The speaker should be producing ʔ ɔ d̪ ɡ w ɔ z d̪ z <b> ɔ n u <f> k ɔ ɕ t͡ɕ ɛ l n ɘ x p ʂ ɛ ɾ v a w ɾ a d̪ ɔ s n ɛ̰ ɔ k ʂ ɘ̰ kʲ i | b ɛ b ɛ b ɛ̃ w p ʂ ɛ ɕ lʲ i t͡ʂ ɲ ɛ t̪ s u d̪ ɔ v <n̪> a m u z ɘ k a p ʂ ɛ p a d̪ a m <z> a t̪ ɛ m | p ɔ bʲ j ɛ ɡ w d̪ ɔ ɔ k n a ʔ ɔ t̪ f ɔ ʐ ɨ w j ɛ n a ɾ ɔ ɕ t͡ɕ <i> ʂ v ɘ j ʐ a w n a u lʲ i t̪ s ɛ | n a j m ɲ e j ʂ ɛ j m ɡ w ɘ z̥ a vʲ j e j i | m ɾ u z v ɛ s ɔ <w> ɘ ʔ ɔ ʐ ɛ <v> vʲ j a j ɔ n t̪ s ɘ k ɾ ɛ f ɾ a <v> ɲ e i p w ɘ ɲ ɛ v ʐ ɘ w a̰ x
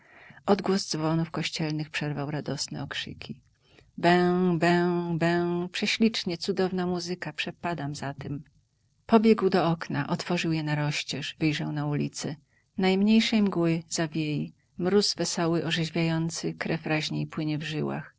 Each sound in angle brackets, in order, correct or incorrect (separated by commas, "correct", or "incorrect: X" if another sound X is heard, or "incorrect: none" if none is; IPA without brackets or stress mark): incorrect: v, correct, correct, correct, incorrect: ɛ, correct, incorrect: ʑ, incorrect: ʑ